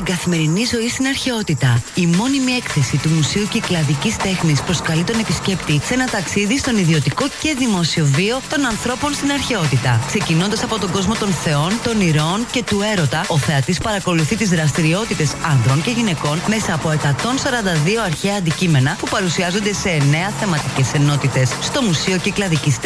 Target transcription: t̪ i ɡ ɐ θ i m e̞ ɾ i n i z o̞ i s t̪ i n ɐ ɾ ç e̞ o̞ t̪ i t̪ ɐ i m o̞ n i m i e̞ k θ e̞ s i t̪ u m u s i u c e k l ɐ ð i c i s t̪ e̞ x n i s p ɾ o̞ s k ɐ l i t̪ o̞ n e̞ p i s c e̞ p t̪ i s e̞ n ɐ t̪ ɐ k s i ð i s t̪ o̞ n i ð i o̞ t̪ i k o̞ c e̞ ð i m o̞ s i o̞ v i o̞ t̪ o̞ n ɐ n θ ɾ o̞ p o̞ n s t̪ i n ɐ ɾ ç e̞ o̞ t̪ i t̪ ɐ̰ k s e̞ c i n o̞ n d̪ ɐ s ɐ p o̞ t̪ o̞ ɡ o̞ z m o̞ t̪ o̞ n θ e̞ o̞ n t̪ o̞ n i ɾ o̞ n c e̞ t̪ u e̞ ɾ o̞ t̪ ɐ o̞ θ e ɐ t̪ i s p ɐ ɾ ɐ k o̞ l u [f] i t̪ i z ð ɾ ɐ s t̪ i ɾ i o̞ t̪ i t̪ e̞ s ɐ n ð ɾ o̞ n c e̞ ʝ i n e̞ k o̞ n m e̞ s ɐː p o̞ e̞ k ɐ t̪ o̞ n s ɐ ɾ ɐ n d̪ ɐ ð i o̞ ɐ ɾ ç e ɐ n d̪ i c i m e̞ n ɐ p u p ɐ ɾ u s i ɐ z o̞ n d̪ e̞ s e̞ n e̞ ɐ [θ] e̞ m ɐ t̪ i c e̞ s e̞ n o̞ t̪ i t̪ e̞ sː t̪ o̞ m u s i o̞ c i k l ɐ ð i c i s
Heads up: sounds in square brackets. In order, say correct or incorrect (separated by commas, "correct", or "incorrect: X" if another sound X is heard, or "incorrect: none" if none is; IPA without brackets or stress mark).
incorrect: θ, correct